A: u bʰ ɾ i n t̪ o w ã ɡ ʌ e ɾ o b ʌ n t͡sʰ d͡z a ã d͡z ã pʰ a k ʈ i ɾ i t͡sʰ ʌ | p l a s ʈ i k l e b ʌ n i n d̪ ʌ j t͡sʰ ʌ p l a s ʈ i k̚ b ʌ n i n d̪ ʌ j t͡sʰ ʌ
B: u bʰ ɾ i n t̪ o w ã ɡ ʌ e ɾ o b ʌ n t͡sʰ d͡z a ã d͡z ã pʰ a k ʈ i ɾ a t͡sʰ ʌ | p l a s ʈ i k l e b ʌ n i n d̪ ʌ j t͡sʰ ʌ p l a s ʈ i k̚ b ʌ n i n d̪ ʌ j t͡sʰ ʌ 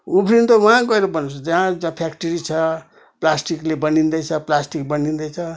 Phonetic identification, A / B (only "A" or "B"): A